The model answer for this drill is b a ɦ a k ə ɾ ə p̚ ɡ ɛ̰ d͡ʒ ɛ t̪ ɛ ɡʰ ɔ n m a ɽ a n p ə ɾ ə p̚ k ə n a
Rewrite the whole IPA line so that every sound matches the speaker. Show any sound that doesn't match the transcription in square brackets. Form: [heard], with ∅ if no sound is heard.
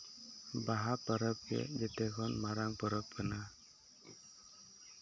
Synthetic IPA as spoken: b a ɦ a [p] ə ɾ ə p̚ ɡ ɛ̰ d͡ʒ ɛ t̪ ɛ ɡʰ ɔ n m a [ɾ] a [ŋ] p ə ɾ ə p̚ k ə n a